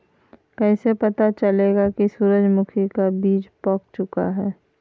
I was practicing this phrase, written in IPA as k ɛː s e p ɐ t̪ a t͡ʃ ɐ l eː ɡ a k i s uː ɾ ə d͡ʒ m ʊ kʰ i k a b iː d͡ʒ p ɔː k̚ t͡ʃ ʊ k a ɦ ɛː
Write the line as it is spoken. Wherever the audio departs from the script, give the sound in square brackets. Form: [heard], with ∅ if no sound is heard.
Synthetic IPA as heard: k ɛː s e p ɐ t̪ a t͡ʃ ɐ l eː ɡ a k i s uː ɾ ə d͡ʒ m ʊ kʰ i k a b iː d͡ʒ p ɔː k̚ t͡ʃ ʊ k a ɦ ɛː

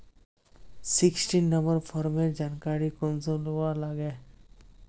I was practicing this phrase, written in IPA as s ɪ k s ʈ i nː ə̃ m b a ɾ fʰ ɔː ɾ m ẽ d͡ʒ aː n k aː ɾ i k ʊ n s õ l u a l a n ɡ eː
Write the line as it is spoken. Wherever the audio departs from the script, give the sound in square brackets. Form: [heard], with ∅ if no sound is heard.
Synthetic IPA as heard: s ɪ k s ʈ i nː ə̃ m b [ə] ɾ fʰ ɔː ɾ m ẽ d͡ʒ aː n k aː ɾ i k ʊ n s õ l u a l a [∅] ɡ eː

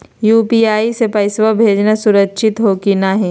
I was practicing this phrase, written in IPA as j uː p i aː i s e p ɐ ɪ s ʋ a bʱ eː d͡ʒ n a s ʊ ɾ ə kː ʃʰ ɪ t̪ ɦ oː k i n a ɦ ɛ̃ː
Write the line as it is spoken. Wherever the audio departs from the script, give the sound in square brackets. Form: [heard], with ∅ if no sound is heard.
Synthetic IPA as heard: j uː p i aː i s e p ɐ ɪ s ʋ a bʱ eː d͡ʒ n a s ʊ ɾ ə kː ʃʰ ɪ t̪ ɦ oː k i n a ɦ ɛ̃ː

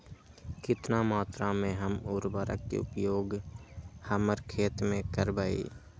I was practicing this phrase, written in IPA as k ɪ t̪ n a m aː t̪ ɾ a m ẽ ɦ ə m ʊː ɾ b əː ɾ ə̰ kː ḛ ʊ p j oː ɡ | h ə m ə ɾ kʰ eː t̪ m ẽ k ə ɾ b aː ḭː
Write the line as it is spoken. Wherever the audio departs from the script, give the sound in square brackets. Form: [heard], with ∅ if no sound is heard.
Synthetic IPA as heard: k ɪ t̪ n a m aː t̪ ɾ a m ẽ ɦ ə m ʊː ɾ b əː ɾ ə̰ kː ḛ ʊ p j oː ɡ | h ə m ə ɾ kʰ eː t̪ m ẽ k ə ɾ b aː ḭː

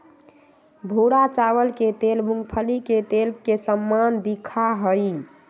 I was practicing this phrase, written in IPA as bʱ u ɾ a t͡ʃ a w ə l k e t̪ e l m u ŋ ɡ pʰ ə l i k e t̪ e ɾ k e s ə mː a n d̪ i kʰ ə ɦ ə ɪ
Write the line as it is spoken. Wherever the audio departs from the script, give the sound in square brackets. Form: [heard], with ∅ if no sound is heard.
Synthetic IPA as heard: bʱ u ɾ a t͡ʃ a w ə l k e t̪ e l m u ŋ ɡ pʰ ə l i k e t̪ e [l] k e s ə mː a n d̪ i kʰ [a] ɦ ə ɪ

